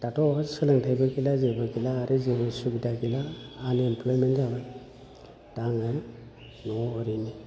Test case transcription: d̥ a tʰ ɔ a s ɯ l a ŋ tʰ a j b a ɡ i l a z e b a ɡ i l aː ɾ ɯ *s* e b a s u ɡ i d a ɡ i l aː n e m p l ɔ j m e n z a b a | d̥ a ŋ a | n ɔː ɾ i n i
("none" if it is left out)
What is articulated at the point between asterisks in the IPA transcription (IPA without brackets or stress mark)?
z